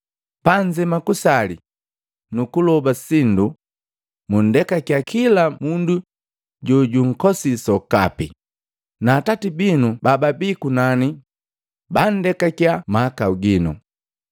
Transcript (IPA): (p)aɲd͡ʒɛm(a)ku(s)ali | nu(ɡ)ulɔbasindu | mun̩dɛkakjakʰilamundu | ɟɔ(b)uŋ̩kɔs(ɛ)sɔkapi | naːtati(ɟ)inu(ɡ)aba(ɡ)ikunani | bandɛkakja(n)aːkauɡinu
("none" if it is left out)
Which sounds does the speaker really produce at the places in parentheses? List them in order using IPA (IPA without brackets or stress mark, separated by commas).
p, a, s, k, ɟ, i, b, b, b, m